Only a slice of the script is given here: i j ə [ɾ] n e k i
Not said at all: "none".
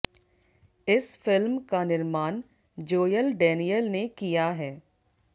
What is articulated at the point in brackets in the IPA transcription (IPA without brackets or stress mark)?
l